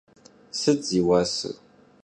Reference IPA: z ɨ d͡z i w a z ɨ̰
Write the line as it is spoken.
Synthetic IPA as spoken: s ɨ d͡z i w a s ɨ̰